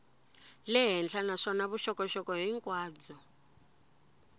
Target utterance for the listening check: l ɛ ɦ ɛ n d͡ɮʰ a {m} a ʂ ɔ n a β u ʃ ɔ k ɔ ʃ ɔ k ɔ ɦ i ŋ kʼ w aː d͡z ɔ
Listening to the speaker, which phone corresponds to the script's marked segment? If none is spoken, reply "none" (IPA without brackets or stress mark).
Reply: n